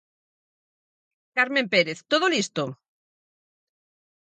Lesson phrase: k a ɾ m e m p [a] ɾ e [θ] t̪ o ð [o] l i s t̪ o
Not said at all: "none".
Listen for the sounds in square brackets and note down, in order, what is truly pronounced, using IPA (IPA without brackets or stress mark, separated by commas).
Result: e, θ, o